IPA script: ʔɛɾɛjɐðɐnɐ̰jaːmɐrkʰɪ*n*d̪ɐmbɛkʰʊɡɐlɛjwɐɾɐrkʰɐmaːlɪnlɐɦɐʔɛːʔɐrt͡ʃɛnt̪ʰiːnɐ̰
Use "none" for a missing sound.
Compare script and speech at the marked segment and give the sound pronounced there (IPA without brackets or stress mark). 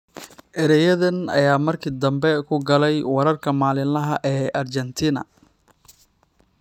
none